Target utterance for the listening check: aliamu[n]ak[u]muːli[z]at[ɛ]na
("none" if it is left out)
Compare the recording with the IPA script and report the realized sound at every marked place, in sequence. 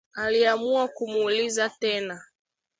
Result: none, u, z, ɛ

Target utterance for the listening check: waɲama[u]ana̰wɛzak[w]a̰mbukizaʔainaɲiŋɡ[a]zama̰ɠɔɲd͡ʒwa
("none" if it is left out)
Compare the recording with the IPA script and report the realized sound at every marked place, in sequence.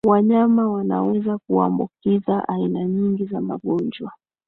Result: w, u, i

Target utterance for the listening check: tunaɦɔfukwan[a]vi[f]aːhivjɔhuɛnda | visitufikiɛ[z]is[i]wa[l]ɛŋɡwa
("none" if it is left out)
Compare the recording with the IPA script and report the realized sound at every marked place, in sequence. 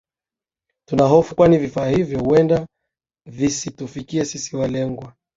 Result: i, f, s, i, l

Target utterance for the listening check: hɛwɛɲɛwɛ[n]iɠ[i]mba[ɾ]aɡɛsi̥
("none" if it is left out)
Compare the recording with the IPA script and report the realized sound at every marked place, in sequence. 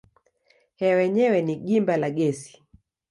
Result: n, i, l

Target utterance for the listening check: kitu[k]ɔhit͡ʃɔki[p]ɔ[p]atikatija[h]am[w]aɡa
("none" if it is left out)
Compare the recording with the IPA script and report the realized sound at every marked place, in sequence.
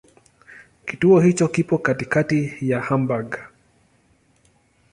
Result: none, p, k, h, b

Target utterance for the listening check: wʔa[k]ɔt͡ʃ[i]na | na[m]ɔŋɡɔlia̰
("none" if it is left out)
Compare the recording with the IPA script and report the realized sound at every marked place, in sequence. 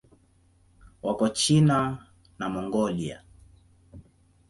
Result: k, i, m

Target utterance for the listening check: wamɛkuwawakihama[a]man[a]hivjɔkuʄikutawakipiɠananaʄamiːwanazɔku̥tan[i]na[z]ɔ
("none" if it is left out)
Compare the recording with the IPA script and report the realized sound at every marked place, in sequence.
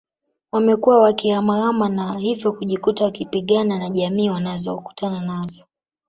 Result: a, a, a, z

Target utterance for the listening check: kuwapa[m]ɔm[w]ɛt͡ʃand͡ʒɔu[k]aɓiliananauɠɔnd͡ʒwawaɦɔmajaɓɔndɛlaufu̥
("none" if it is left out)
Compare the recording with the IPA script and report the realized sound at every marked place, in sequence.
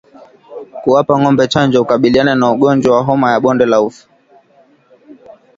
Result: ŋ, b, k

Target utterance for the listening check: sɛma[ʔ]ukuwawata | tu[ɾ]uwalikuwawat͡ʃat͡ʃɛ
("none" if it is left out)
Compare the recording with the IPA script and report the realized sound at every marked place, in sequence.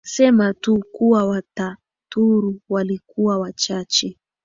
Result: t, ɾ

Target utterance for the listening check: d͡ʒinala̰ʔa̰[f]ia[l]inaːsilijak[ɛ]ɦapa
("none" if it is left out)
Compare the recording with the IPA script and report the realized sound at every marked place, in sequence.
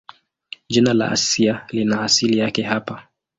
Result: s, l, ɛ

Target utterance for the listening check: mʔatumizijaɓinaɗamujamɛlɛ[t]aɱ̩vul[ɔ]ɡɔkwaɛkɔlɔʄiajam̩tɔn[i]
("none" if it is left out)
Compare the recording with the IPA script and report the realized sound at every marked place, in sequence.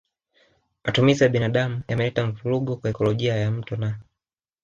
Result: t, u, a

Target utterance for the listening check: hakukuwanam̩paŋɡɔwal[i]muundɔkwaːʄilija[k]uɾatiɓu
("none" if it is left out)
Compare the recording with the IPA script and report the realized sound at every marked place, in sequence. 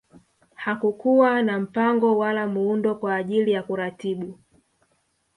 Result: a, k

